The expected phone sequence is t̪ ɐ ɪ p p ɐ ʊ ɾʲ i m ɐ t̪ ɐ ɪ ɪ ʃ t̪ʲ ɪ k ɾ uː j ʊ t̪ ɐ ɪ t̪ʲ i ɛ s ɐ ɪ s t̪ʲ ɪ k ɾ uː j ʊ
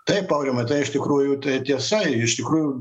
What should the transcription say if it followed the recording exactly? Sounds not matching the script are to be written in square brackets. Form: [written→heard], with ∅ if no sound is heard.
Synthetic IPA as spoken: t̪ ɐ ɪ p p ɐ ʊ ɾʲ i m ɐ t̪ ɐ ɪ ɪ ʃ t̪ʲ ɪ k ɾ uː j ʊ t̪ ɐ ɪ t̪ʲ i ɛ s ɐ ɪ [s→ʃ] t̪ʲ ɪ k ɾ uː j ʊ